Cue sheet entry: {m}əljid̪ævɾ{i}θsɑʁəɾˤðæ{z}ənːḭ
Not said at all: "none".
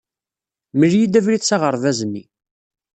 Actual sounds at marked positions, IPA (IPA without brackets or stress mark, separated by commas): m, i, z